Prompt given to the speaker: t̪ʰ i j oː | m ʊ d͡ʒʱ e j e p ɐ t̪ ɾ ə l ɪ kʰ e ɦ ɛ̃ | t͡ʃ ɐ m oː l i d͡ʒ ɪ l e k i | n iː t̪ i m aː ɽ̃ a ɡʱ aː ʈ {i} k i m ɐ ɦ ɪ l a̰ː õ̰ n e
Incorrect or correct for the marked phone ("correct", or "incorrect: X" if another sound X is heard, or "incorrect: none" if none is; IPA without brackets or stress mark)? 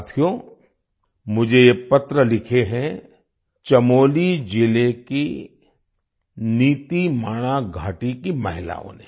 correct